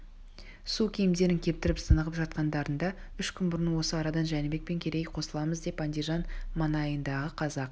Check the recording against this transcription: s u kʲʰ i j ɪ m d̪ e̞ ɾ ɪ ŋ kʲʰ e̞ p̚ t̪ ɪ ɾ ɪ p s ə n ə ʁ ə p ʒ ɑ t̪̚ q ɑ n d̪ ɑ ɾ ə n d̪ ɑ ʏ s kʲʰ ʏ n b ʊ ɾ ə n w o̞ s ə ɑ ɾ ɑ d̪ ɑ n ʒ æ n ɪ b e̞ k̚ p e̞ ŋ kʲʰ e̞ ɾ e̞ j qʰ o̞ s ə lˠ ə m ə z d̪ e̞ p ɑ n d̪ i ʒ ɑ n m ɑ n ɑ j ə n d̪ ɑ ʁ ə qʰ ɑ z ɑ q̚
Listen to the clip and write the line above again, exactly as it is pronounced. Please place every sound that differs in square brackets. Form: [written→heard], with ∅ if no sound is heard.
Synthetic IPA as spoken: s u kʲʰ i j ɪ m d̪ e̞ ɾ ɪ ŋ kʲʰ e̞ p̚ t̪ ɪ ɾ ɪ p s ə n ə ʁ ə p ʒ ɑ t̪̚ q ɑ n d̪ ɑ ɾ ə n d̪ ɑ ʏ [s→ʃ] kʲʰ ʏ n b ʊ ɾ ə n w o̞ s ə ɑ ɾ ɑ d̪ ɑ n ʒ æ n ɪ b e̞ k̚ p e̞ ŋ kʲʰ e̞ ɾ e̞ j qʰ o̞ s ə lˠ [ə→ɑ] m ə z d̪ e̞ p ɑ n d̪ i ʒ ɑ n m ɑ n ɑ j ə n d̪ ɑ ʁ ə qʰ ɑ z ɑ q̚